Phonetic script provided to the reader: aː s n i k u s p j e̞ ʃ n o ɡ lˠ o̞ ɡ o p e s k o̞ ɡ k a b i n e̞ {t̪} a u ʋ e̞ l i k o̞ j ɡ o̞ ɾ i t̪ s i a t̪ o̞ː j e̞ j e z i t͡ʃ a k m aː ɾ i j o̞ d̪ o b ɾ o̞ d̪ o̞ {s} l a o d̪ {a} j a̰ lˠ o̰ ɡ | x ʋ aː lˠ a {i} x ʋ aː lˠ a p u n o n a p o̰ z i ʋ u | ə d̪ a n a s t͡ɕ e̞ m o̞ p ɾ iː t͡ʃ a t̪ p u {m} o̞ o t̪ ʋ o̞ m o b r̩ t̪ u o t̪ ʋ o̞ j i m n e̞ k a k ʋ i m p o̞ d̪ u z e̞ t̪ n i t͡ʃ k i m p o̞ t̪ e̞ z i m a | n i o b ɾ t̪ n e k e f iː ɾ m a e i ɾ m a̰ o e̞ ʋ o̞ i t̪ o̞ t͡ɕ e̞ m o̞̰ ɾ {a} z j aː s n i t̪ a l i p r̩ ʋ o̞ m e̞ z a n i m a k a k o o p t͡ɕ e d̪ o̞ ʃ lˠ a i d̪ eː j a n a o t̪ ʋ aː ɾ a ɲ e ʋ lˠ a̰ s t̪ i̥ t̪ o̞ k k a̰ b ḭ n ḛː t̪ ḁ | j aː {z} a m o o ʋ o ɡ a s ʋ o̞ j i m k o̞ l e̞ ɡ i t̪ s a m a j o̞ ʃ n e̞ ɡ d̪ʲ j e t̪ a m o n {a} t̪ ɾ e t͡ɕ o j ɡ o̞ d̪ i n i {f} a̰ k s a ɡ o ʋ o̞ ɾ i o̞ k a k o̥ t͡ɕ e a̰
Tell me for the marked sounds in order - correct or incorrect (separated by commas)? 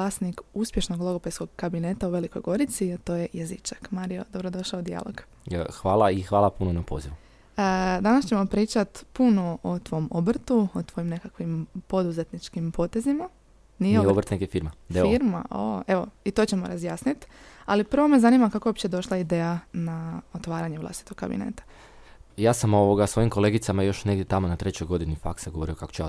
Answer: correct, incorrect, incorrect, correct, incorrect, correct, incorrect, correct, correct